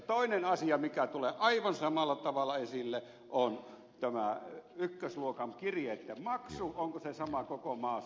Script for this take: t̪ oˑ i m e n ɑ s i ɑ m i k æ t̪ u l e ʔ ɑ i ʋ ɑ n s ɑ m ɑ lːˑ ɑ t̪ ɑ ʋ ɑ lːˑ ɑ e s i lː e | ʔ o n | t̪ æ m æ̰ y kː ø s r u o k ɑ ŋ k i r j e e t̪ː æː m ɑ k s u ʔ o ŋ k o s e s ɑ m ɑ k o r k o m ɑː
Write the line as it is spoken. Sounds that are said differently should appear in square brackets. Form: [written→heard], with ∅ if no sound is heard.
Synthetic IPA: t̪ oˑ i [m→n] e n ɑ s i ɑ m i k æ t̪ u l e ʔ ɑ i ʋ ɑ n s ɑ m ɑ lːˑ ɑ t̪ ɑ ʋ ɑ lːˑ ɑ e s i lː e | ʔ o n | t̪ æ m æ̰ y kː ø s [r→l] u o k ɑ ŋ k i r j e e t̪ː [æː→æ] m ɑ k s u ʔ o ŋ k o s e s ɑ m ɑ k o [r→∅] k o m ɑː